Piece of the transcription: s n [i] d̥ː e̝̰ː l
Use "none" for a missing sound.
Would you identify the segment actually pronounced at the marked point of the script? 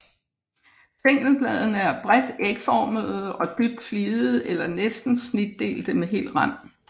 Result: i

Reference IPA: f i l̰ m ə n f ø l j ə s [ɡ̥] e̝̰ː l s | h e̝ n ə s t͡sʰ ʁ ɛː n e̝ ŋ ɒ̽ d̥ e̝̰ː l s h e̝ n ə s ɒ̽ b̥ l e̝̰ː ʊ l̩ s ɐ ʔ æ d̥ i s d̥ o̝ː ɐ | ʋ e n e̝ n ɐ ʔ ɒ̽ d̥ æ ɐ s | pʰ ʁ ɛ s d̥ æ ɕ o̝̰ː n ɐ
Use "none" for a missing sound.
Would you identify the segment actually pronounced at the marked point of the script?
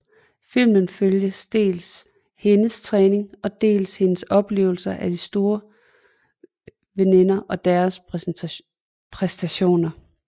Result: d̥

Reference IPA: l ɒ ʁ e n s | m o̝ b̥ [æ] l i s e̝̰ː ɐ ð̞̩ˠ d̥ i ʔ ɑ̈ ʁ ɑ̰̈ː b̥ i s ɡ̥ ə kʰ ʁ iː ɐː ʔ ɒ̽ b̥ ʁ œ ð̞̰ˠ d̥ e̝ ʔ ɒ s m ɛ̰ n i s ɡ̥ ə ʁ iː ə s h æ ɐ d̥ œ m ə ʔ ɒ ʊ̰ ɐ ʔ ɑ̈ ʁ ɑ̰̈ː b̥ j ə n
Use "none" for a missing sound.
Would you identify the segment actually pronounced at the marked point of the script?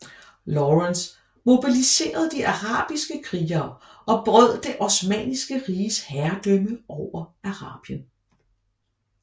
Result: i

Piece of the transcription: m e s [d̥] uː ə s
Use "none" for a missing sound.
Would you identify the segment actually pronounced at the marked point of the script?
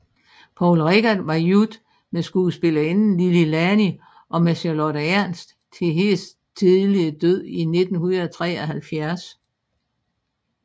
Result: ɡ̥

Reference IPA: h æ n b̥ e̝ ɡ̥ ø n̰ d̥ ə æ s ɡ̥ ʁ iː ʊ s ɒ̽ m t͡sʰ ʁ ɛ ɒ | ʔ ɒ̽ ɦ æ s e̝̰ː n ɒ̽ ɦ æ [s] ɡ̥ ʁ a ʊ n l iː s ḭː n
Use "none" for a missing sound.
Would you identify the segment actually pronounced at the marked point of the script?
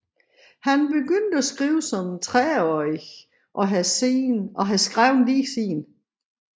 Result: s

